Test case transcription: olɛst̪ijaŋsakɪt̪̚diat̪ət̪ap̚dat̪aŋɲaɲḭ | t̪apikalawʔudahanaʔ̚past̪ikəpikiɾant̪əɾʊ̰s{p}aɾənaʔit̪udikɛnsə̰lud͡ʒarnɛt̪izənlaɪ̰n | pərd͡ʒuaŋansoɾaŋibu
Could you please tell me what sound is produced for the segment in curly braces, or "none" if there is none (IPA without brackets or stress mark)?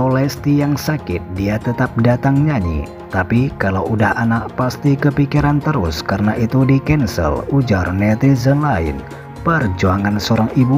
k